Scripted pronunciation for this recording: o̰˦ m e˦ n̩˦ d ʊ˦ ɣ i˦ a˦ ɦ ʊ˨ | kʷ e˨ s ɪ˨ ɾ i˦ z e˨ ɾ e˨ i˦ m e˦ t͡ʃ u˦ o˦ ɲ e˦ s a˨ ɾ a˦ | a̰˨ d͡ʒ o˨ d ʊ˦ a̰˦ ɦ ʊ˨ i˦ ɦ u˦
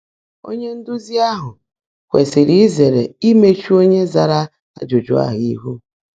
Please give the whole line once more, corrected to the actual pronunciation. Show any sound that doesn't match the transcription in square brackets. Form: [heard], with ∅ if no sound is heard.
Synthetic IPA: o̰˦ [ɲ] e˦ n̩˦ d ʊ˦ [z] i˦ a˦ ɦ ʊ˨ | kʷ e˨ s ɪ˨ ɾ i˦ z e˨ ɾ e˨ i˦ m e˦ t͡ʃ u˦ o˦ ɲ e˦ [z] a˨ ɾ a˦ | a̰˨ d͡ʒ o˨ [d͡ʒ] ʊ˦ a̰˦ ɦ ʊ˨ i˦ ɦ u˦